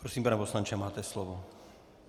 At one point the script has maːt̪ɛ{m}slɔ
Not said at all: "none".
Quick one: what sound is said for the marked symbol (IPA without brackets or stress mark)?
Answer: none